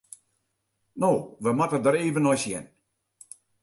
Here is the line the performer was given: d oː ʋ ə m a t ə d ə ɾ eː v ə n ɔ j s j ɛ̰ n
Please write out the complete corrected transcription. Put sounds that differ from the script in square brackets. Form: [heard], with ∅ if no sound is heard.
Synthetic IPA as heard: [n] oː ʋ ə m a t ə d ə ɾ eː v ə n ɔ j s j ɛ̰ n